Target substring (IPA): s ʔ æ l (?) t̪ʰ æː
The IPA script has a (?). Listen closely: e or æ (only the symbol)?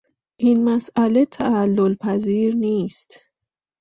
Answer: e